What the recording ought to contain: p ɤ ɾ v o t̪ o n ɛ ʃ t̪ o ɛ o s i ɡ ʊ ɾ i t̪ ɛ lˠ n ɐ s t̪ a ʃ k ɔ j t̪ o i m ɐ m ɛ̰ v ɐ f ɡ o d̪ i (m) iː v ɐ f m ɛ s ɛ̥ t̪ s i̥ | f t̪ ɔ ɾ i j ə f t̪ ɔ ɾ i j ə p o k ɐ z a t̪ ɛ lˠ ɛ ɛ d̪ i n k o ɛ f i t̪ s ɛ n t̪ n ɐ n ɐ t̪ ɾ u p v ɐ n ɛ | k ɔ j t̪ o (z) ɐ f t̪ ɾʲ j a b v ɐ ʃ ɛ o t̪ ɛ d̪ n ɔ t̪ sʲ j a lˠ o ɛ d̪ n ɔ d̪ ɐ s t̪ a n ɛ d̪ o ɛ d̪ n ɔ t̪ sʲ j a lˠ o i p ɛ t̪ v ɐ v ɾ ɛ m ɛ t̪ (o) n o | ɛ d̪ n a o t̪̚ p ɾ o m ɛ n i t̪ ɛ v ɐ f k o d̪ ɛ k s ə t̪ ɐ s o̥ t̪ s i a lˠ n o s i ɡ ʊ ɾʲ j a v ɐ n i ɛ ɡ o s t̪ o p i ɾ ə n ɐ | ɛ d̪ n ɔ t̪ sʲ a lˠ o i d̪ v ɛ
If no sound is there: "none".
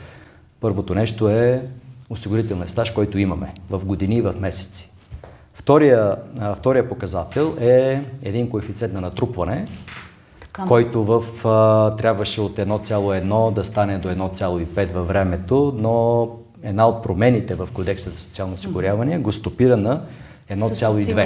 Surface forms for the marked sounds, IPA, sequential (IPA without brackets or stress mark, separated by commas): n, v, o